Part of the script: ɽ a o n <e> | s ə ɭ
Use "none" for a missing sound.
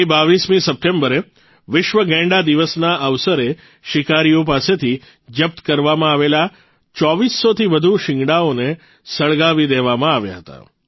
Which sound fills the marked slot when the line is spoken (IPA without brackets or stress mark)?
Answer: e